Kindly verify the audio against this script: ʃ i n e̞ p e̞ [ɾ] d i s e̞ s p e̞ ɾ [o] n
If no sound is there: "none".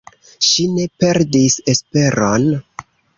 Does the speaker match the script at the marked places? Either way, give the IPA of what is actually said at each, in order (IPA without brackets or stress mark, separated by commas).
ɾ, o